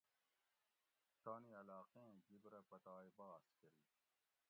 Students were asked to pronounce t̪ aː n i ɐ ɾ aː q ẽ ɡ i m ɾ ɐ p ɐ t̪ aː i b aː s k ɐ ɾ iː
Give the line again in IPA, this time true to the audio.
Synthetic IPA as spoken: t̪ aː n i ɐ l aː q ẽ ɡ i b ɾ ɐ p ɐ t̪ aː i b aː s k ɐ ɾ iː